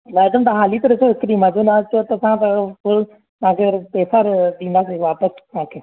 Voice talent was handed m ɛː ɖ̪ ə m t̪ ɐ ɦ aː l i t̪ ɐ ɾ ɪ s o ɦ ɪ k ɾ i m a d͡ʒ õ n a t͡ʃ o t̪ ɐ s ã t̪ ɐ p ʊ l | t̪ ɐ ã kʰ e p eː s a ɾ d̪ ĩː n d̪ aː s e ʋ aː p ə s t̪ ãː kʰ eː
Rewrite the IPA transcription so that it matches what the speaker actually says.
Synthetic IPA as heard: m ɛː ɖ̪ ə m t̪ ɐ ɦ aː l i t̪ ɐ ɾ ɪ s o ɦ ɪ k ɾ i m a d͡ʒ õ n a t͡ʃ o t̪ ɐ s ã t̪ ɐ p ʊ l | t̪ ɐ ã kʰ e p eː s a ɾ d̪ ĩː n d̪ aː s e ʋ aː p ə s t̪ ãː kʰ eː